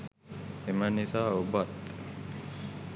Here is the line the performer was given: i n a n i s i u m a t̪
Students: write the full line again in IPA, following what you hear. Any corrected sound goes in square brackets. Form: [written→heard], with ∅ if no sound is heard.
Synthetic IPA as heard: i [n→m] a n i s [i→a] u [m→b] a t̪